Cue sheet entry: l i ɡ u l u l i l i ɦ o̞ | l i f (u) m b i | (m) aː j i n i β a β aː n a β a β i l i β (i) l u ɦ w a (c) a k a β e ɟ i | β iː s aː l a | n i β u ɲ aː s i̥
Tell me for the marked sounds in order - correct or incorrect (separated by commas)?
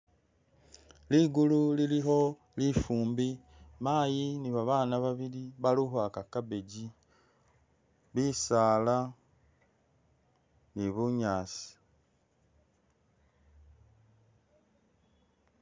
incorrect, correct, incorrect, incorrect